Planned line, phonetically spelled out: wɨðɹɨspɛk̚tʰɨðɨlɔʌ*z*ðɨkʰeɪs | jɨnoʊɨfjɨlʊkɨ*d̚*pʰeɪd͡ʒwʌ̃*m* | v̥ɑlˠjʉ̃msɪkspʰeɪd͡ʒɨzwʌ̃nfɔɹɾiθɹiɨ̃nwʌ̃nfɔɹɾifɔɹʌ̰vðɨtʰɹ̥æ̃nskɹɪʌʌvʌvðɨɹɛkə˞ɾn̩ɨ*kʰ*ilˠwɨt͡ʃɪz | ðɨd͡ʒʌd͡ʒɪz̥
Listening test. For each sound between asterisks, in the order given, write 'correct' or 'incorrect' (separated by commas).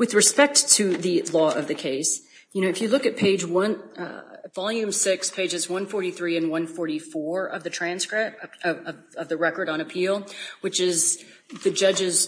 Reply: incorrect, incorrect, incorrect, incorrect